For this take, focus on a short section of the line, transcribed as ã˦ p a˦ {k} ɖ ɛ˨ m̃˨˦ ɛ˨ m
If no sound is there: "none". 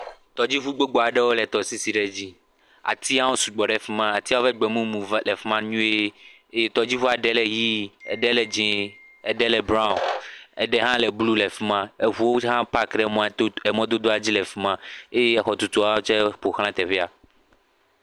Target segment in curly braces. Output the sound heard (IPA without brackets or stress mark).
k